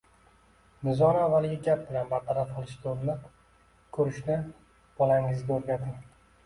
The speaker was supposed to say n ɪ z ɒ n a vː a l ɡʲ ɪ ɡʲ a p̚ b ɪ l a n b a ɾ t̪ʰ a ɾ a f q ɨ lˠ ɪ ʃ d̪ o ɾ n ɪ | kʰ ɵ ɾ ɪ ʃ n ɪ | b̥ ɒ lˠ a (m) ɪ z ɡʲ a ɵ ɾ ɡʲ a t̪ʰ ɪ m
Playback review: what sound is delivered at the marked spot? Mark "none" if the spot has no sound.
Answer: ŋ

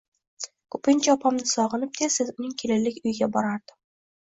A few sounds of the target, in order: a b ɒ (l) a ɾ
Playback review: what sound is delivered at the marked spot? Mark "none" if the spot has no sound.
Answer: ɾ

